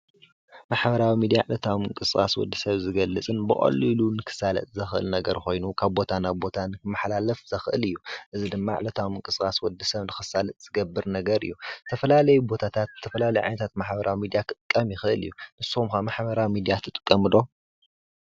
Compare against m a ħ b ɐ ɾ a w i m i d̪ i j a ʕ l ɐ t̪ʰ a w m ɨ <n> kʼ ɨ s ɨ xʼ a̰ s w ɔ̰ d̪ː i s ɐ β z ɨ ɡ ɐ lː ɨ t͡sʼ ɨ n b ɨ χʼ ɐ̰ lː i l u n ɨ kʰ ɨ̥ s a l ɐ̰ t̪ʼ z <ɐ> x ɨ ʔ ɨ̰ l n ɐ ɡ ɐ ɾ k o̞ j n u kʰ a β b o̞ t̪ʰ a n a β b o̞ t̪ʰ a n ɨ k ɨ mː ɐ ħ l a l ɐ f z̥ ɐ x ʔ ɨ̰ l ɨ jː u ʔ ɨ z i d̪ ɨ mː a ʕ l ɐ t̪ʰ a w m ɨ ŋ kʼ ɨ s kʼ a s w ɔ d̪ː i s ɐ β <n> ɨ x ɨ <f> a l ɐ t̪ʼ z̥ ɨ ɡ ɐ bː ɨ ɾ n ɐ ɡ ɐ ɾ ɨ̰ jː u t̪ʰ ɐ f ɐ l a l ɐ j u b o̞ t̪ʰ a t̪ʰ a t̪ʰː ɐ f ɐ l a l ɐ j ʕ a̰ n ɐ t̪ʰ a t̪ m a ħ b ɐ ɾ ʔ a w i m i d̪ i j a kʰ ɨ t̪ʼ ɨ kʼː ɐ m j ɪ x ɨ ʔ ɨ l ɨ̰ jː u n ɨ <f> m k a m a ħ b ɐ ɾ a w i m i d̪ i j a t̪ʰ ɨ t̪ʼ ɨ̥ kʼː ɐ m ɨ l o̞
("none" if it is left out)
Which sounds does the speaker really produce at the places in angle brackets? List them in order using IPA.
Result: ŋ, ɐ, n, s, s

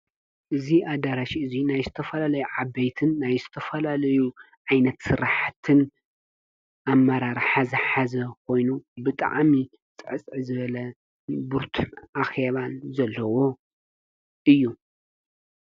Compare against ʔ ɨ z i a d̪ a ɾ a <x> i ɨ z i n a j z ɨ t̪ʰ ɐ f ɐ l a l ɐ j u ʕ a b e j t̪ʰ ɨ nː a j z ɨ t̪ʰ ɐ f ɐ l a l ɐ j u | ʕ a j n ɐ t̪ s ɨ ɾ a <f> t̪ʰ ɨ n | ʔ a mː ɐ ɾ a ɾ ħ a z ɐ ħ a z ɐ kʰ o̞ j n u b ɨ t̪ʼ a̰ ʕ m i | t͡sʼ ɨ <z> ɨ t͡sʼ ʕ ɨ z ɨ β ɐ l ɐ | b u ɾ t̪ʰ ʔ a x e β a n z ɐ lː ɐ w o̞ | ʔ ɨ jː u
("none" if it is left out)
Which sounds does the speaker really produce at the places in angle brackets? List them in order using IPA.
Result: ʃ, ħ, ʕ

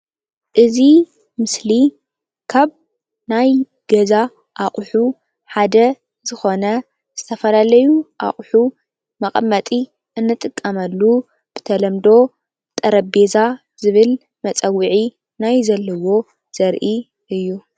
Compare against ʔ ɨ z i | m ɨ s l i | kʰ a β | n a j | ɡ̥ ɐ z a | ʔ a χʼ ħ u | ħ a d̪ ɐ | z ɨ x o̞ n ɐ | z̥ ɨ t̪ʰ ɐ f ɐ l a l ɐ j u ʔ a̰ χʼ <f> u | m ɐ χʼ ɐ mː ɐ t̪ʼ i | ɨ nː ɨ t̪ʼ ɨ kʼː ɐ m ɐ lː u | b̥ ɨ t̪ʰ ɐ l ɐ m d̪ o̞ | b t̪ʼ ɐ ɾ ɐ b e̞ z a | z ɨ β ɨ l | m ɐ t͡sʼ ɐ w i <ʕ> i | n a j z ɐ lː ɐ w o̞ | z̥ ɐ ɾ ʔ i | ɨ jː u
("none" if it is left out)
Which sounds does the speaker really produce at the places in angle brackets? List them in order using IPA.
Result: ħ, ʕ

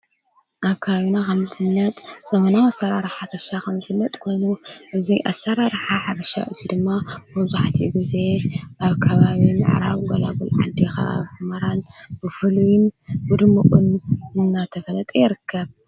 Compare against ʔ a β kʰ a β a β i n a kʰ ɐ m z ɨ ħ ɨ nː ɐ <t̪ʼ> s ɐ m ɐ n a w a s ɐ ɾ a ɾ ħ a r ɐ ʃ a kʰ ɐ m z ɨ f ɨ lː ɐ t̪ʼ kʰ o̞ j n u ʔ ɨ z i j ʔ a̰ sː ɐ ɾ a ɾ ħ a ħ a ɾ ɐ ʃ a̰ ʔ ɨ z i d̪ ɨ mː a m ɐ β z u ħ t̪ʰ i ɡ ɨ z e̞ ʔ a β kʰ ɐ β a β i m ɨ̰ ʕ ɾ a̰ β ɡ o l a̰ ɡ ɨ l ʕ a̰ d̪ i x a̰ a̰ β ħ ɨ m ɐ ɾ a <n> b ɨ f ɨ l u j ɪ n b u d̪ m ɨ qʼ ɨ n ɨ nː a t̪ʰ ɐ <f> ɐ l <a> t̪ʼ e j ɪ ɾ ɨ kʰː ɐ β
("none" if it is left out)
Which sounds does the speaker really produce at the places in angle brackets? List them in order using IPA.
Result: t̪ʼ, n, f, ɐ

